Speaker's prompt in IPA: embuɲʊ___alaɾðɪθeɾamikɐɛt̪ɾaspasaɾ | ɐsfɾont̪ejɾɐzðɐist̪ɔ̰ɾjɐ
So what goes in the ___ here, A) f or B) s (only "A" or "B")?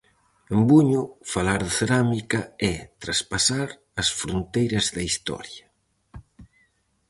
A